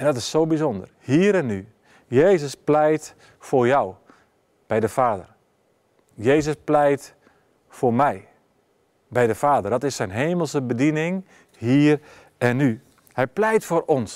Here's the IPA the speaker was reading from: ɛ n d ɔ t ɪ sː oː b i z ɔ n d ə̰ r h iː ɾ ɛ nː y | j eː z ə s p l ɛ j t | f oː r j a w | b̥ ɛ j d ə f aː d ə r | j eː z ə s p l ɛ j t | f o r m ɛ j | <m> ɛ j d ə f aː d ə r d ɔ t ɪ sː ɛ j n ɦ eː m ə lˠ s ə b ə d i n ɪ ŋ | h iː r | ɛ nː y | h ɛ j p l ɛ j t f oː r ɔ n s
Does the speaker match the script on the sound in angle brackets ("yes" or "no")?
no